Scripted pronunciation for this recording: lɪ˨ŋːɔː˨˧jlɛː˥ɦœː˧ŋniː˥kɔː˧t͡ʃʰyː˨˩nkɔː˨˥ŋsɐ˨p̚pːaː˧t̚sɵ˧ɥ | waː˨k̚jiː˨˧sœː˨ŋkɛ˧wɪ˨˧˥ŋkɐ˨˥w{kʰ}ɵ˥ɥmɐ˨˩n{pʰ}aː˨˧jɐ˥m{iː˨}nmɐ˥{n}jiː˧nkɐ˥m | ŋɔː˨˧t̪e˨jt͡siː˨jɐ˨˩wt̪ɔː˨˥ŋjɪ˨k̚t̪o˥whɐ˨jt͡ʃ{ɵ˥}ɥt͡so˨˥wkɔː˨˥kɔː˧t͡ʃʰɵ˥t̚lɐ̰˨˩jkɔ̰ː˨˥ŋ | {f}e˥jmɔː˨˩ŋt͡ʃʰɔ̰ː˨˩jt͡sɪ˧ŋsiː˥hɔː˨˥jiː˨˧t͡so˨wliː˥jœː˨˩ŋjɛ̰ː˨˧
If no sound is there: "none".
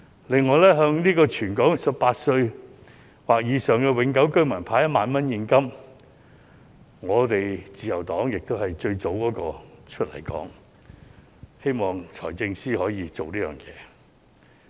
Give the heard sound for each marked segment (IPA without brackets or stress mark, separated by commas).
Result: k, pʰ, aː˨, n, ɵ˧, h